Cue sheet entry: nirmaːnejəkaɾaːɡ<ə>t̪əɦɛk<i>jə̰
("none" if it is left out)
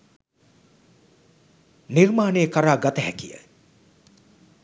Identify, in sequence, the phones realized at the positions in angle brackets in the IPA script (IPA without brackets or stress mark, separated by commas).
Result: a, i